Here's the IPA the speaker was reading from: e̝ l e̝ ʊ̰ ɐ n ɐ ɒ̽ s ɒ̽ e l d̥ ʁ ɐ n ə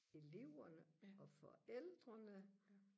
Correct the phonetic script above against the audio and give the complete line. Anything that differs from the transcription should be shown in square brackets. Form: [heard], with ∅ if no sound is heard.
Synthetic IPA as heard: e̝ l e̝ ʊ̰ ɐ n [ə] ɒ̽ [f] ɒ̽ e l d̥ ʁ ɐ n ə